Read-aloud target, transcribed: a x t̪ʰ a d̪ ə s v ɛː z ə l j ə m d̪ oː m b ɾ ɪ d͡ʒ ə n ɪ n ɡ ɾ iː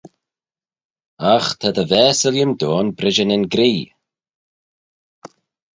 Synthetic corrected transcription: a x t̪ʰ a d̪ ə v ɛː s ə l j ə m d̪ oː n b ɾ ɪ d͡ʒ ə n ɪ n ɡ ɾ iː